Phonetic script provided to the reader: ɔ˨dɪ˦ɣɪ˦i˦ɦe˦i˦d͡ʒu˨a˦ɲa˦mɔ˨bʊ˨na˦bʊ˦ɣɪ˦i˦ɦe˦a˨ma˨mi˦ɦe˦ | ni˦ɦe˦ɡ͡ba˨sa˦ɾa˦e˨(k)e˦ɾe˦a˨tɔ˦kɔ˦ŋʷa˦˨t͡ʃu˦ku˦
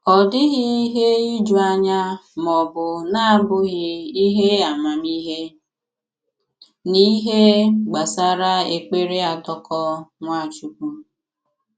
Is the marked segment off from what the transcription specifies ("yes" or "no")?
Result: yes